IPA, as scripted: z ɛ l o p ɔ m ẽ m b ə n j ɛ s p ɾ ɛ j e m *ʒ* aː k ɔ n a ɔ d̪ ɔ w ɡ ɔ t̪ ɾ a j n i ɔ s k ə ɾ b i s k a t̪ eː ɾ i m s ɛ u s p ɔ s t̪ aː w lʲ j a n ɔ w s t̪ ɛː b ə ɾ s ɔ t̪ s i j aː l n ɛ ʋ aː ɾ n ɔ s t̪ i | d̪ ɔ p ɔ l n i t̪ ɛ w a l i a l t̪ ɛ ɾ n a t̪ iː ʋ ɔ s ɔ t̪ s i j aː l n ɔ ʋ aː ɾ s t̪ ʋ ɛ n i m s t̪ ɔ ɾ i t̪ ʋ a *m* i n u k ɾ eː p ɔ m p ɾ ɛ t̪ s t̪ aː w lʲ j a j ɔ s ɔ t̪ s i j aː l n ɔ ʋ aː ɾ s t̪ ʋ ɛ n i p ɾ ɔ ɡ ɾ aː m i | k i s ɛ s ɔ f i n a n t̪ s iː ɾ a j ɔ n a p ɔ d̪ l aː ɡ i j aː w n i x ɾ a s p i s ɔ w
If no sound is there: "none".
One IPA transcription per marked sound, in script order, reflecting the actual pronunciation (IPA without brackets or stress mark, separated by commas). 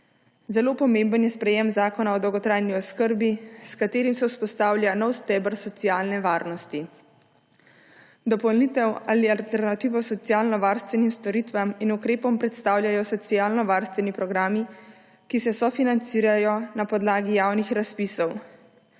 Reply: z, m